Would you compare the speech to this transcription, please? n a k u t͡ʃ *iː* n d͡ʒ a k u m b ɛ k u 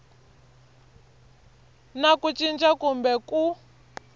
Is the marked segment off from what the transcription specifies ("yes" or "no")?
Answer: yes